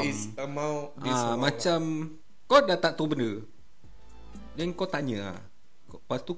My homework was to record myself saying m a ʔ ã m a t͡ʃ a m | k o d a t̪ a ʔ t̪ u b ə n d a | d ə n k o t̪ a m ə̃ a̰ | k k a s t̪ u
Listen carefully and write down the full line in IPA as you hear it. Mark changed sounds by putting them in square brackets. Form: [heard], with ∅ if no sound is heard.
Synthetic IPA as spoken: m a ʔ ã m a t͡ʃ a m | k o d a t̪ a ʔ t̪ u b ə n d [ə] | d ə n k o t̪ a [ɲ] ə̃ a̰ | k [p] a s t̪ u